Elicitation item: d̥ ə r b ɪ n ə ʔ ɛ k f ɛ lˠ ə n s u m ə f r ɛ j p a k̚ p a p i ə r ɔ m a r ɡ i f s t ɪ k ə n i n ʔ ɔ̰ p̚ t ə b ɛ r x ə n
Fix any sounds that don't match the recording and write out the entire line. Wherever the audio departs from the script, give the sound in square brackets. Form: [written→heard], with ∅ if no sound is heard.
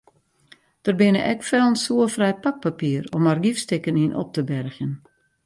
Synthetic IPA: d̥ ə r b ɪ n ə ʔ ɛ k f ɛ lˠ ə n s u [m→∅] ə f r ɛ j p a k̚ p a p i ə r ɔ m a r ɡ i f s t ɪ k ə n i n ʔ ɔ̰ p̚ t ə b ɛ r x ə n